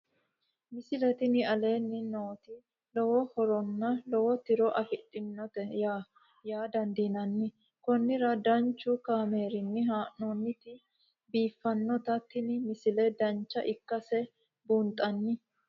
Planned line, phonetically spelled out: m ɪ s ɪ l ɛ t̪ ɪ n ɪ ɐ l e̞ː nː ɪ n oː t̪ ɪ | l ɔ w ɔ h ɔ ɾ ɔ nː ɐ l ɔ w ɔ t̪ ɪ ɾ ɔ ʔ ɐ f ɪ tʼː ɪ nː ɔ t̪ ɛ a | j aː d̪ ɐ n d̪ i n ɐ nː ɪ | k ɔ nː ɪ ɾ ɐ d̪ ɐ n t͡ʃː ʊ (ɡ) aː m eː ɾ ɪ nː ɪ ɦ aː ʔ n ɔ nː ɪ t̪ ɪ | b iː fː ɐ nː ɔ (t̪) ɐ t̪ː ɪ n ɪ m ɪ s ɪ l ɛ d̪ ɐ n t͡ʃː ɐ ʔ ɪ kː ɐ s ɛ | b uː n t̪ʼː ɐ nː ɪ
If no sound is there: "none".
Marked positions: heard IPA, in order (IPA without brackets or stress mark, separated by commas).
k, t̪